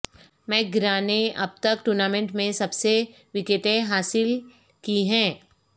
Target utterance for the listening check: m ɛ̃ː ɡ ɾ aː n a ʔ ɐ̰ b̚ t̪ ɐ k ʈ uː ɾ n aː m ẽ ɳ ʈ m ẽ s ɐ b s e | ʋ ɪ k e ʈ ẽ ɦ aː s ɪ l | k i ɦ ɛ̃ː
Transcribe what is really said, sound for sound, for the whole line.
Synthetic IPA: m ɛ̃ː ɡ ɾ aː n e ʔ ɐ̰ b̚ t̪ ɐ k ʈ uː ɾ n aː m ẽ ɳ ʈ m ẽ s ɐ b s e | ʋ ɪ k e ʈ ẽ ɦ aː s ɪ l | k i ɦ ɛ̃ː